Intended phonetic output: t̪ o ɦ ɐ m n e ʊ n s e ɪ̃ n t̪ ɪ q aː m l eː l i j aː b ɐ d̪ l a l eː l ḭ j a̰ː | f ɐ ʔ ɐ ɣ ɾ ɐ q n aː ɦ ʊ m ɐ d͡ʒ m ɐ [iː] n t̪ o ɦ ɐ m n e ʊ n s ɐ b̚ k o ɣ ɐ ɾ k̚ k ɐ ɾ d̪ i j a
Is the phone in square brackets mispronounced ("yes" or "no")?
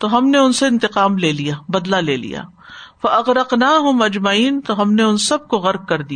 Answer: no